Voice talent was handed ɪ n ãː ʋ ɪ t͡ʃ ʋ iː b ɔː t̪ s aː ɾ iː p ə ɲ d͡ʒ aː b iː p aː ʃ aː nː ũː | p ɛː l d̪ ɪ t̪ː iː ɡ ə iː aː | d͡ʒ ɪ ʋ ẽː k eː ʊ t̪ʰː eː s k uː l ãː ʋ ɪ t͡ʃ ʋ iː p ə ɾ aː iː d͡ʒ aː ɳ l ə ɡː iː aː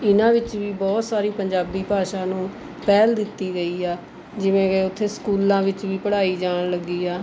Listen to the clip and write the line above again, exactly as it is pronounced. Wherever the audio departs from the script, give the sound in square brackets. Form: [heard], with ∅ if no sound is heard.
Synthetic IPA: ɪ n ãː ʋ ɪ t͡ʃ ʋ iː b ɔː t̪ s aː ɾ iː p ə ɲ d͡ʒ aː b iː p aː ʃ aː [n] ũː | p ɛː l d̪ ɪ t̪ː iː ɡ ə iː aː | d͡ʒ ɪ ʋ ẽː k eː ʊ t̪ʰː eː s k uː l ãː ʋ ɪ t͡ʃ ʋ iː p ə [ɽ] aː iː d͡ʒ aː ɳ l ə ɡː iː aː